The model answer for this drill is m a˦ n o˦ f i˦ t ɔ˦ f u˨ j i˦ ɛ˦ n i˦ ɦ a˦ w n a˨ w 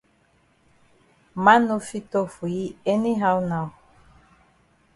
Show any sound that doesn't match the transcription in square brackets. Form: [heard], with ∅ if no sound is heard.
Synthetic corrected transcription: m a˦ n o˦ f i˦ t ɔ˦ f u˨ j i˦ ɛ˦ n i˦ ɦ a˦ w n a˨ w

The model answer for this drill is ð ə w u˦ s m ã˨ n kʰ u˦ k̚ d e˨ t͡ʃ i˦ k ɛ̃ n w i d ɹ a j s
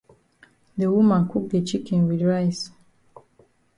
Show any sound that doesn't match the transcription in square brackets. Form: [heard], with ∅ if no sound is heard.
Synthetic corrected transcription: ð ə w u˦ [∅] m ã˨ n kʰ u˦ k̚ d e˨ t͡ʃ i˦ k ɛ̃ n w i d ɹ a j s

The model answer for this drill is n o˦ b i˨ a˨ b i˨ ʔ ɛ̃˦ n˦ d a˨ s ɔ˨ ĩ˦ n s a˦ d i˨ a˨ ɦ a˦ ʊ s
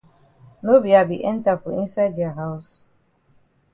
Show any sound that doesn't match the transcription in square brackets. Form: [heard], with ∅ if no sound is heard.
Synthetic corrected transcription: n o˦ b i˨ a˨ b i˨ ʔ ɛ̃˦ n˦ [t] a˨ [f] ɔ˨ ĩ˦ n s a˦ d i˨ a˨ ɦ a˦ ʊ s

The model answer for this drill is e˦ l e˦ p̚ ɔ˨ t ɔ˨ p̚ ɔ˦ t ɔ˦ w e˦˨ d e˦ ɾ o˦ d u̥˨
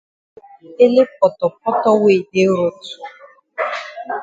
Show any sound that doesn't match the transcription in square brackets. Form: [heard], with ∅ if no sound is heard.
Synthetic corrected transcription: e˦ l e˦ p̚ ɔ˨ t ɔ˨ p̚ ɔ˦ t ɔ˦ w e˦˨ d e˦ ɾ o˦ [t] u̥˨

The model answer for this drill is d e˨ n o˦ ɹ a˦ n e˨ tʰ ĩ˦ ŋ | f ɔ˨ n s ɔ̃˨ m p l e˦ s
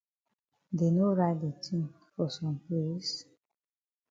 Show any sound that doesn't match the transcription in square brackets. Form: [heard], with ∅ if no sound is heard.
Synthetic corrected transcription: d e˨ n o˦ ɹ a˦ [d] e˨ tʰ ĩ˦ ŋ | f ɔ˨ [∅] s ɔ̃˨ m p l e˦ s

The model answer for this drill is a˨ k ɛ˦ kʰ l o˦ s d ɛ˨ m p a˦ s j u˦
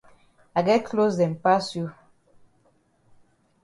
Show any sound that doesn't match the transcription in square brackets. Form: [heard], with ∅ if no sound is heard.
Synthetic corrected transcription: a˨ [ɡ] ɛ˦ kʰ l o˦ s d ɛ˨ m p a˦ s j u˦

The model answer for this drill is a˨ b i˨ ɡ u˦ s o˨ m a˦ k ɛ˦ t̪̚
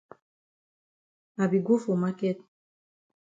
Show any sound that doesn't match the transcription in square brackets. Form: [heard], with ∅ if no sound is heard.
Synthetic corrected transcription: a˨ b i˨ ɡ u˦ [f] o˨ m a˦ k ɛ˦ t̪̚

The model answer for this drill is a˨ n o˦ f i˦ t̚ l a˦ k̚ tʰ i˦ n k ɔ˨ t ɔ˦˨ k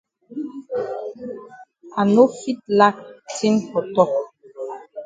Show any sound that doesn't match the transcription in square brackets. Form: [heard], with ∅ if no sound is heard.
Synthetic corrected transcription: a˨ n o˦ f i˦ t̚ l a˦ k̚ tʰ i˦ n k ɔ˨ t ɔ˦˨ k

